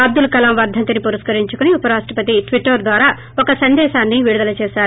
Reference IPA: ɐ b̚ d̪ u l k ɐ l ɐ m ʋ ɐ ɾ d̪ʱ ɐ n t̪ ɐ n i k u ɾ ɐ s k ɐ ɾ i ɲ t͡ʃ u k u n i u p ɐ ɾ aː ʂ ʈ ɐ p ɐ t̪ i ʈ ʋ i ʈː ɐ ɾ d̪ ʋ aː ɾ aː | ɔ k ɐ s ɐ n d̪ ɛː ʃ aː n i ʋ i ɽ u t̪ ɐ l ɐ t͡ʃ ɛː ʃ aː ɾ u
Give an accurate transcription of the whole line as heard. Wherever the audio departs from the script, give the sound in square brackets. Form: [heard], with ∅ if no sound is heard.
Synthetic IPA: ɐ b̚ d̪ u l k ɐ l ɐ m ʋ ɐ ɾ d̪ʱ ɐ n t̪ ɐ n i [p] u ɾ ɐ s k ɐ ɾ i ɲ t͡ʃ u k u n i u p ɐ ɾ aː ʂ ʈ ɐ p ɐ t̪ i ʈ ʋ i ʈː ɐ ɾ d̪ ʋ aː ɾ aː | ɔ k ɐ s ɐ n d̪ ɛː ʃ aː [nː] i ʋ i ɽ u [d̪] ɐ l ɐ t͡ʃ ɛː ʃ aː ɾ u